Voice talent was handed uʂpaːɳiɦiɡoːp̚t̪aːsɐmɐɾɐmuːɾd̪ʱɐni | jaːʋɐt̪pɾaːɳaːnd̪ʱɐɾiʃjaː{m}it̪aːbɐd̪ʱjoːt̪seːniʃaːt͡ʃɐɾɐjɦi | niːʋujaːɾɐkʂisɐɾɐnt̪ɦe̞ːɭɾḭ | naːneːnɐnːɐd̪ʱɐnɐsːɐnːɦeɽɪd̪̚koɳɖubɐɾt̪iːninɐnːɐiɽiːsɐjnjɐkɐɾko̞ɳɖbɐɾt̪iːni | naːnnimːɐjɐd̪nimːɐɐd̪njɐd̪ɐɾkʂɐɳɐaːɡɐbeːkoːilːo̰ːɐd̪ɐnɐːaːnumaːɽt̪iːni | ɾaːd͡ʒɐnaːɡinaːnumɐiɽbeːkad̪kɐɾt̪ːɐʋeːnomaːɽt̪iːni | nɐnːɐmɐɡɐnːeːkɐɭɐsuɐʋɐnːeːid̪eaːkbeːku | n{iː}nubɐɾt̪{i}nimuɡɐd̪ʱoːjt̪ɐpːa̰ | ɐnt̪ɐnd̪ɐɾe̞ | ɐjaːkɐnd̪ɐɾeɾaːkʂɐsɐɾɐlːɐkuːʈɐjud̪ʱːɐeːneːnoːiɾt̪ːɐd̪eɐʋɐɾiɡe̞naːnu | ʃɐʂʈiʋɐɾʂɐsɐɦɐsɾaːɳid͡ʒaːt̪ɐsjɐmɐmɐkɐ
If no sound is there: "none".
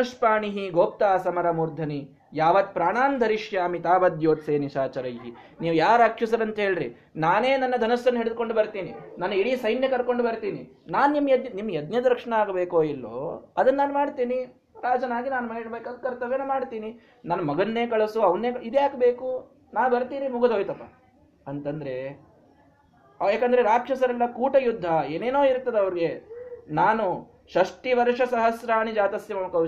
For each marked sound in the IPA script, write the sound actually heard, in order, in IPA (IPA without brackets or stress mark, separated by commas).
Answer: m, aː, iː